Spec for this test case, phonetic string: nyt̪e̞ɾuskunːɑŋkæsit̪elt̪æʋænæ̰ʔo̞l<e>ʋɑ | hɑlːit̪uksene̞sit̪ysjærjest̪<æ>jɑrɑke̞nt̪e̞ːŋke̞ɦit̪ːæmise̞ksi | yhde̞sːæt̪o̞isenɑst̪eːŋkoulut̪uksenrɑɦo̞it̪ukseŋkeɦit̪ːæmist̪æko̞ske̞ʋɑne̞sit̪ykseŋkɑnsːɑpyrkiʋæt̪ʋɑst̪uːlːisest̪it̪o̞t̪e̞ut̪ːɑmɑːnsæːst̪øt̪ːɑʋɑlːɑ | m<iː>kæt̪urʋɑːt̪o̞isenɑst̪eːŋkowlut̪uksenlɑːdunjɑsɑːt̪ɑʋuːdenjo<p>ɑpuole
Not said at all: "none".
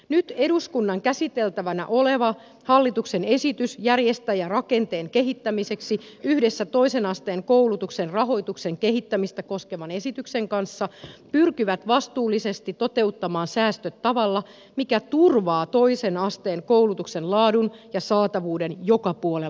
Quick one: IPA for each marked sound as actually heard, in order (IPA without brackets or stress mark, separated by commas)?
e, æ, i, k